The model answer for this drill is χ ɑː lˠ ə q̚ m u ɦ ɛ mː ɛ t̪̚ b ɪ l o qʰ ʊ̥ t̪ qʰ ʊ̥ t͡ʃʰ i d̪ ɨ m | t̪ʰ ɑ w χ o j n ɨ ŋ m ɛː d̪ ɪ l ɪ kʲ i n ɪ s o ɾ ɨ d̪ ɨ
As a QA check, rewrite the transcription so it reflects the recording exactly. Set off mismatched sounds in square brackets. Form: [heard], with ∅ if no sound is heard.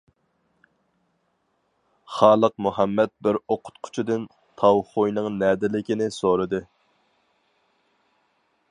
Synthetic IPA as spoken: χ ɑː lˠ ə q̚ m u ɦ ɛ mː ɛ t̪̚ b ɪ [ɾ] o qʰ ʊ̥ t̪ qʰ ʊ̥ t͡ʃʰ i d̪ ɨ [n] | t̪ʰ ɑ w χ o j n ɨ ŋ [n] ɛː d̪ ɪ l ɪ kʲ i n ɪ s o ɾ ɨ d̪ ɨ